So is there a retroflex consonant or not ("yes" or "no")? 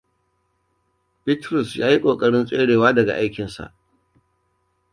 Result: yes